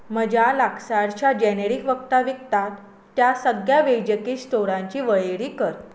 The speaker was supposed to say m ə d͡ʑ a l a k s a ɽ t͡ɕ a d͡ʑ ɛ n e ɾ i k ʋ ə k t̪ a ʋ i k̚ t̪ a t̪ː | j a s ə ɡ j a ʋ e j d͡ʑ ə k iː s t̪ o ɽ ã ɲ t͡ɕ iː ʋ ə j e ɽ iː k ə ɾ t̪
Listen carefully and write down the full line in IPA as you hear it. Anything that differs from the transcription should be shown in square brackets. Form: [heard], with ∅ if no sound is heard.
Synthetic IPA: m ə d͡ʑ a l a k s a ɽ t͡ɕ a d͡ʑ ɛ n e ɾ i k ʋ ə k t̪ a ʋ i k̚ t̪ a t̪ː | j a s ə ɡ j a ʋ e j d͡ʑ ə k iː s t̪ o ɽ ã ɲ t͡ɕ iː ʋ ə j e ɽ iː k ə ɾ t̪